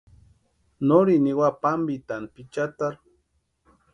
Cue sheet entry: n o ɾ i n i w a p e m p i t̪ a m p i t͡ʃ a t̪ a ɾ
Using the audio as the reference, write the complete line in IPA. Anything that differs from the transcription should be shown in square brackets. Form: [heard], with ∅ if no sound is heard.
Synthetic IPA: n o ɾ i n i w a p [a] m [b] i t̪ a [n] p i t͡ʃ a t̪ a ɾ